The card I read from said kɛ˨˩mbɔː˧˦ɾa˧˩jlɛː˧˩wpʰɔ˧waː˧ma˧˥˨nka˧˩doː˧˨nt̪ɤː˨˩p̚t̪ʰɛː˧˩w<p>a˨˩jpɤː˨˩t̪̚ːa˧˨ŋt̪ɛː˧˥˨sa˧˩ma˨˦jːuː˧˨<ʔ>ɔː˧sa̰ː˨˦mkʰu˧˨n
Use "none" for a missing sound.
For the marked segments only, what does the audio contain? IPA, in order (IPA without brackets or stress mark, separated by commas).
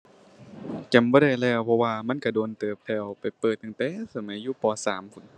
p, p